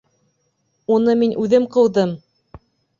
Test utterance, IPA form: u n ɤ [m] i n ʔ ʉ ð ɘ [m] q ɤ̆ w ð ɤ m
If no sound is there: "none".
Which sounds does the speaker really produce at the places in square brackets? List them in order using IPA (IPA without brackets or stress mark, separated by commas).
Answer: m, m